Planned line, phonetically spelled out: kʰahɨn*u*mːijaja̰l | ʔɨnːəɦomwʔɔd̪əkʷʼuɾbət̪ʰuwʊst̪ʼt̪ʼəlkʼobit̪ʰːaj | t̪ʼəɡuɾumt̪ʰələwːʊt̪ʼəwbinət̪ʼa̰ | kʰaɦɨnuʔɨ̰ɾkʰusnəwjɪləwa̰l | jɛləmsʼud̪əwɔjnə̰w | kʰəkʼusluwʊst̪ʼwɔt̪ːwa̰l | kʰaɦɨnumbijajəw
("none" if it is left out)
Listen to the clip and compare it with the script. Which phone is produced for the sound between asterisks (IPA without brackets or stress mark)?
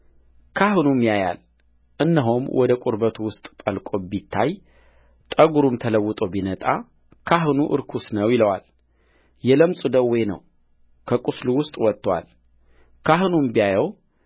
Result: u